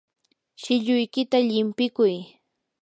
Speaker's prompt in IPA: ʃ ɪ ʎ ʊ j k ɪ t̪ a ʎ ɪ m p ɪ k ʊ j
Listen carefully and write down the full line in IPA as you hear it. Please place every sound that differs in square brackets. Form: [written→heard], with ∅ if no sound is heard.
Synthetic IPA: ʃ ɪ ʎ ʊ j k ɪ t̪ a ʎ ɪ m p ɪ k ʊ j